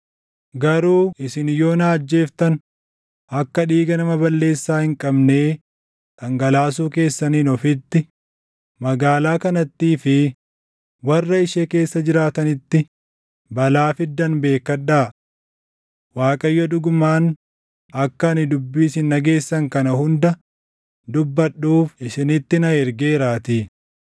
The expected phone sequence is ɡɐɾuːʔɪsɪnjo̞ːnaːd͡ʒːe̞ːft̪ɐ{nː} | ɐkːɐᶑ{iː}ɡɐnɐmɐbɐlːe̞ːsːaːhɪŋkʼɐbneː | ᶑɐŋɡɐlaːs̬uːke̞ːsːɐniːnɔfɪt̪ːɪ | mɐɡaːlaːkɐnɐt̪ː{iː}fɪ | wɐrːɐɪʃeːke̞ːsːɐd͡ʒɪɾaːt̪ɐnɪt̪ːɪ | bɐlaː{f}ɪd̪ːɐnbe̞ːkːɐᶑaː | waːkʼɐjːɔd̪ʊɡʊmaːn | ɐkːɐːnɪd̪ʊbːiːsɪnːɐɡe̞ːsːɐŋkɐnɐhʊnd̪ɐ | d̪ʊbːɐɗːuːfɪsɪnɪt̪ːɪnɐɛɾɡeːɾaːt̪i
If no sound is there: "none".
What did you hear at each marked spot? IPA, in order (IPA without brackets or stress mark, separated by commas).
n, iː, iː, f